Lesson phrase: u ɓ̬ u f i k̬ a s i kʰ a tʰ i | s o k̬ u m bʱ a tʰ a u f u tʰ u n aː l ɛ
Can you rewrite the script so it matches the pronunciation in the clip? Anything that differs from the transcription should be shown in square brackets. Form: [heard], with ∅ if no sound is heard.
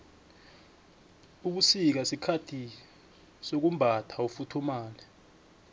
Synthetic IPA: u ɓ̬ u [s] i k̬ a s i kʰ a tʰ i | s o k̬ u m bʱ a tʰ a u f u tʰ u [m] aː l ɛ